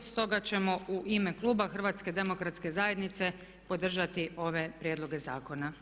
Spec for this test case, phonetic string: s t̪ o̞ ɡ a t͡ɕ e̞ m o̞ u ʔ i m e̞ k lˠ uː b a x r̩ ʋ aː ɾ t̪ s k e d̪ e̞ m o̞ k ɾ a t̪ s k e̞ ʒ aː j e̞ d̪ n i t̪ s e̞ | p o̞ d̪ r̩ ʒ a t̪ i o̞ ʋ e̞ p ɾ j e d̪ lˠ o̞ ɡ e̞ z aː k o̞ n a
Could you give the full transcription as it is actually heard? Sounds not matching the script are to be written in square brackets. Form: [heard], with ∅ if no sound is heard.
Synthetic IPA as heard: s t̪ o̞ ɡ a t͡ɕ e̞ m o̞ u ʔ i m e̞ k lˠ uː b a x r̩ ʋ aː [∅] t̪ s k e d̪ e̞ m o̞ k ɾ a t̪ s k e̞ [z] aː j e̞ d̪ n i t̪ s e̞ | p o̞ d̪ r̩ ʒ a t̪ i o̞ ʋ e̞ p ɾ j e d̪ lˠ o̞ ɡ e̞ z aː k o̞ n a